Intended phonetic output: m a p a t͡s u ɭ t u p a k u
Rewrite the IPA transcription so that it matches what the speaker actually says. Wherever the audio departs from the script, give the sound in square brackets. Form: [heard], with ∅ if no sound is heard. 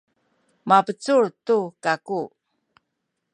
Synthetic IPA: m a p [ə] t͡s u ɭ t u [k] a k u